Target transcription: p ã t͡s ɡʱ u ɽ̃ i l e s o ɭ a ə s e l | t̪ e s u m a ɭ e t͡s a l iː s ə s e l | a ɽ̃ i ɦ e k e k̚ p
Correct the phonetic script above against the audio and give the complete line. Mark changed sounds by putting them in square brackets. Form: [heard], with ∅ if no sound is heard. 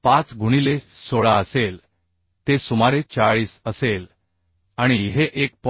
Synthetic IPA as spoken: p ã t͡s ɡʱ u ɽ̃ i l e s o ɭ a ə s e l | t̪ e s u m a [ɾ] e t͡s a [ɭ] iː s ə s e l | a ɽ̃ i ɦ e [ʔ] e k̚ p